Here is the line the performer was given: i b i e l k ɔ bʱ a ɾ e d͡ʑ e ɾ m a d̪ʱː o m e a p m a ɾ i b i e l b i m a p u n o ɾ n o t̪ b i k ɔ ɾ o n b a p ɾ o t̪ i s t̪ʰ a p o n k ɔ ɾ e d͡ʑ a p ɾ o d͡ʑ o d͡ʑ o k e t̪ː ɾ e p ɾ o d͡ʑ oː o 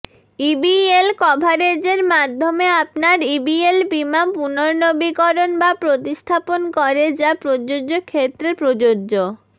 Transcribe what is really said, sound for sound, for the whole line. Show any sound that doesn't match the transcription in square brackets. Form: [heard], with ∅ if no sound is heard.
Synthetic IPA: i b i e l k ɔ bʱ a ɾ e d͡ʑ e ɾ m a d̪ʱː o m e a p [n] a ɾ i b i e l b i m a p u n o ɾ n o [∅] b i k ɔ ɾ o n b a p ɾ o t̪ i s t̪ʰ a p o n k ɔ ɾ e d͡ʑ a p ɾ o d͡ʑ o d͡ʑ o [kʰ] e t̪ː ɾ e p ɾ o d͡ʑ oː o